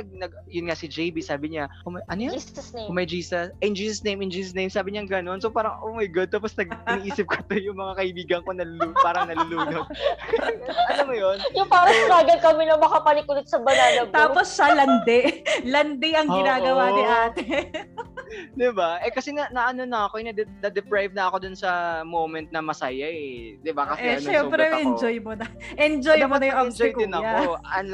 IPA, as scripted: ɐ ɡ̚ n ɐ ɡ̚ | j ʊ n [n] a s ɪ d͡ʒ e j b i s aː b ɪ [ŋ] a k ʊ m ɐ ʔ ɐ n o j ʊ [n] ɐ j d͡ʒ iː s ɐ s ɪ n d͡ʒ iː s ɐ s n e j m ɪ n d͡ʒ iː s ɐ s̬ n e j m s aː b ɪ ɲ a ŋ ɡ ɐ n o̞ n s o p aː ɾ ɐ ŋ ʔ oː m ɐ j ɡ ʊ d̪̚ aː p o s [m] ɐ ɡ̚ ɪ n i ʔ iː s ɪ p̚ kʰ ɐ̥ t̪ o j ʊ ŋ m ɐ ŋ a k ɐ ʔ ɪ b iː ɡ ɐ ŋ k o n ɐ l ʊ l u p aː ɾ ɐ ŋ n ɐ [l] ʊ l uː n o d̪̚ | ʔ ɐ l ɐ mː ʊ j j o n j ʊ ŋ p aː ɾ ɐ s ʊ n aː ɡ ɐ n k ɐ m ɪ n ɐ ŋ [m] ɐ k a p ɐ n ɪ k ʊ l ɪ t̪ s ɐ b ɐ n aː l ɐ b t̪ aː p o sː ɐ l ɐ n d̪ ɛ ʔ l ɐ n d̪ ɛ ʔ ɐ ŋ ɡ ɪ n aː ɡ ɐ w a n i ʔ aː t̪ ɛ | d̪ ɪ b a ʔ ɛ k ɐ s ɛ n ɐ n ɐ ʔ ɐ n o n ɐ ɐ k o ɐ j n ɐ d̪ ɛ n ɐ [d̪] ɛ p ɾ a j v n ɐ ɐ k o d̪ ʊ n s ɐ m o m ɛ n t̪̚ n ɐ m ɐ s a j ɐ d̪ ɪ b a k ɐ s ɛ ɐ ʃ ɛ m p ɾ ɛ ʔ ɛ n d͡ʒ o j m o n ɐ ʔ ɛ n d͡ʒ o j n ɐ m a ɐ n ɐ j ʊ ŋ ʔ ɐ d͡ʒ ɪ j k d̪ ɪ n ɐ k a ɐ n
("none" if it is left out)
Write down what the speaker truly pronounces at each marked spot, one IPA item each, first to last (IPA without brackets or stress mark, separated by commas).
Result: ŋ, ɲ, m, n, l, m, d̪